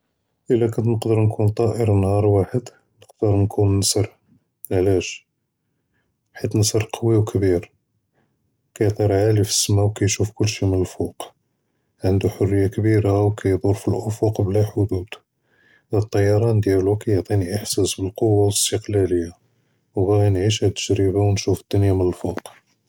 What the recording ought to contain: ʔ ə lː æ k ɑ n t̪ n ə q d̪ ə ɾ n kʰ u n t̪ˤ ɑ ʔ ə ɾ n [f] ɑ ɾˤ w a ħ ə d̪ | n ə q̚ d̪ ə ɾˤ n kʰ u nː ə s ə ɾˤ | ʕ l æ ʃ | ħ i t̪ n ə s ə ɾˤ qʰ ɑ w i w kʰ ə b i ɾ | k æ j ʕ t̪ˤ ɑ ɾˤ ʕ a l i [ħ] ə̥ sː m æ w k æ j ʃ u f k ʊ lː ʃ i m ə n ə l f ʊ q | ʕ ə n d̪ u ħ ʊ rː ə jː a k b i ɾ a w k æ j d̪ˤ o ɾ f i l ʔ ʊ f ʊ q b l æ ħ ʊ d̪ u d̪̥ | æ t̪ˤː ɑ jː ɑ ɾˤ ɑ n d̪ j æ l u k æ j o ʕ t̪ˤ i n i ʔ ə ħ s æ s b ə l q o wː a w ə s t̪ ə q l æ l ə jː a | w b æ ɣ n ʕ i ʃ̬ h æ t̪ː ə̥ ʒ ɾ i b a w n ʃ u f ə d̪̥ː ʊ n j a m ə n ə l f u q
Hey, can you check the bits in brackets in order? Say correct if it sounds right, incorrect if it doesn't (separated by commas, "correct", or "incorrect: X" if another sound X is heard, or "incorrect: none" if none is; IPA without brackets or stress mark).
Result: incorrect: h, incorrect: f